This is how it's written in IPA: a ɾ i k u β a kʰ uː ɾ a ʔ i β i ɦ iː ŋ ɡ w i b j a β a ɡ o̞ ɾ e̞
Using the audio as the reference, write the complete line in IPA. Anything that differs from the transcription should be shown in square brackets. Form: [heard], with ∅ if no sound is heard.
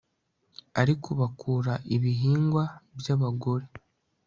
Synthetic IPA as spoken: a ɾ i k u β a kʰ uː ɾ a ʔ i β i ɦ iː ŋ ɡ w [a] b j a β a ɡ o̞ ɾ e̞